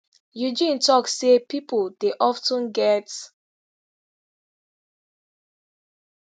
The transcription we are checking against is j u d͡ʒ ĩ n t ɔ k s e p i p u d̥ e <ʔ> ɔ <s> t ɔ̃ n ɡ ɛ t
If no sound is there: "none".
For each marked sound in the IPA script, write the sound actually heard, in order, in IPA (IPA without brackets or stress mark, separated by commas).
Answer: ʔ, f